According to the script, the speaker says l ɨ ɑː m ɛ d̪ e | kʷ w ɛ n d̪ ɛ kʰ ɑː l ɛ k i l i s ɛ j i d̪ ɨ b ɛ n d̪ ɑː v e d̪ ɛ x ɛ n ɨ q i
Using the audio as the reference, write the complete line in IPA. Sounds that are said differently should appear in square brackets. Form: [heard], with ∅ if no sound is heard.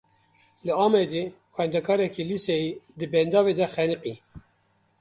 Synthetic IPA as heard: l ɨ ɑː m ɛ d̪ e | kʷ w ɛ n d̪ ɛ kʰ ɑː [ɾ] ɛ k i l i s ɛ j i d̪ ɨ b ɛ n d̪ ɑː v e d̪ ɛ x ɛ n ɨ q i